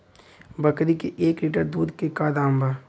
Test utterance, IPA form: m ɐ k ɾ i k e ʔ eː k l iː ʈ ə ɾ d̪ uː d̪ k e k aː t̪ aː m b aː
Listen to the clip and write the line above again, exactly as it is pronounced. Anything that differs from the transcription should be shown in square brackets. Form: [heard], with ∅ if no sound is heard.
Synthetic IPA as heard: [b] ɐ k ɾ i k e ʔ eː k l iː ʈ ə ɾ d̪ uː d̪ k e k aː [d̪] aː m b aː